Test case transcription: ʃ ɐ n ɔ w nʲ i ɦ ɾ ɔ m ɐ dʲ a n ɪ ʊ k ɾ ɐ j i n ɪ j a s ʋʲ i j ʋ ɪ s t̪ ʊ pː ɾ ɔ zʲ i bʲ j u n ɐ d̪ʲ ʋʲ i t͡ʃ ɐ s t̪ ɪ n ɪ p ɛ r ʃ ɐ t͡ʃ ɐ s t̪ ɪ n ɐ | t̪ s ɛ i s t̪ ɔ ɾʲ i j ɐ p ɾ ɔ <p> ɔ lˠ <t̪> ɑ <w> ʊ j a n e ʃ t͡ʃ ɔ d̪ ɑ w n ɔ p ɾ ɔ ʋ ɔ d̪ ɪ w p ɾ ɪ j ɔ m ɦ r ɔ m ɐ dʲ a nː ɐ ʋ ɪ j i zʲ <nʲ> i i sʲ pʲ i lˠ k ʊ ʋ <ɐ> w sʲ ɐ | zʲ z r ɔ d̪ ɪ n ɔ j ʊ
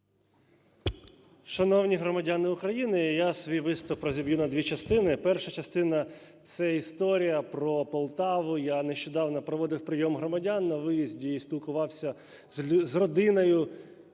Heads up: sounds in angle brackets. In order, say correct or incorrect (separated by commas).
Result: correct, correct, incorrect, incorrect, incorrect